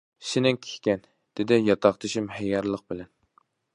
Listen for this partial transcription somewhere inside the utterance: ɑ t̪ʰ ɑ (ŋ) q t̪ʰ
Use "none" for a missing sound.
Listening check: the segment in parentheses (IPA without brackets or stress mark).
none